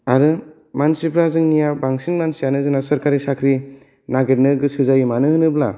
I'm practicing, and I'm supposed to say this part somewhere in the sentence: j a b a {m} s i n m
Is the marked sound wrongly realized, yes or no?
yes